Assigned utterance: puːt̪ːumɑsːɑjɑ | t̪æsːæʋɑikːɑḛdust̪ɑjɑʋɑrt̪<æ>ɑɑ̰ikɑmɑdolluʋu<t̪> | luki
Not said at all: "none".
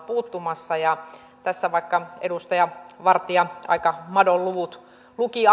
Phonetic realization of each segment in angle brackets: i, t̪

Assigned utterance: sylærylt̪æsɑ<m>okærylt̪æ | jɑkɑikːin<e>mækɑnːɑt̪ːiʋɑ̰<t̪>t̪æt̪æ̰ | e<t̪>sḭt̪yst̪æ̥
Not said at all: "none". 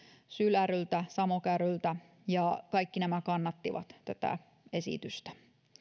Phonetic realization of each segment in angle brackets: m, æ, t̪, none

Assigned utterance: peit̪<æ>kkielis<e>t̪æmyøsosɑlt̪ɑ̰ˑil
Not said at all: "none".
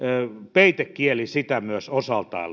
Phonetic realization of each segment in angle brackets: e, i

